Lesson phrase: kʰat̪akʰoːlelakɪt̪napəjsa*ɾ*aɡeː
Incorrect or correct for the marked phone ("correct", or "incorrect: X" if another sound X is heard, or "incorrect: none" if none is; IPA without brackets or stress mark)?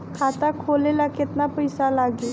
incorrect: l